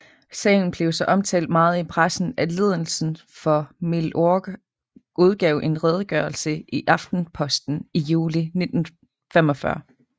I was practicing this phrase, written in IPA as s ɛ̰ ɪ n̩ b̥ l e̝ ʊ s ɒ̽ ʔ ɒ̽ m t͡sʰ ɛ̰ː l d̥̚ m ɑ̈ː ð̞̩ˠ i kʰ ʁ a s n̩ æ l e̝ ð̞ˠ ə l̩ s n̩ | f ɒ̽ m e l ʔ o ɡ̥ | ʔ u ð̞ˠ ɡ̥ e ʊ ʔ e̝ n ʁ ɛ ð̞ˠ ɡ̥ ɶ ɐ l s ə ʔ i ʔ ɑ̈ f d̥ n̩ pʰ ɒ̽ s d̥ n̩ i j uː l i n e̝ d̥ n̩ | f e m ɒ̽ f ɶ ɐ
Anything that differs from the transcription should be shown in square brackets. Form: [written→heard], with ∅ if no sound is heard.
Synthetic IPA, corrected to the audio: s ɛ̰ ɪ n̩ b̥ l e̝ ʊ s ɒ̽ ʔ ɒ̽ m t͡sʰ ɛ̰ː l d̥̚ m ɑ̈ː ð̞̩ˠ i [kʰ→pʰ] ʁ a s n̩ æ l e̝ ð̞ˠ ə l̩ s n̩ | f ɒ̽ m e l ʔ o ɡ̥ | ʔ u ð̞ˠ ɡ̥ [e→ɛ] ʊ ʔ e̝ n ʁ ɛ ð̞ˠ ɡ̥ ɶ ɐ l s ə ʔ i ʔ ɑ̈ f d̥ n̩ pʰ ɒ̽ s d̥ n̩ i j uː l i n e̝ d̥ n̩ | f e m ɒ̽ f ɶ ɐ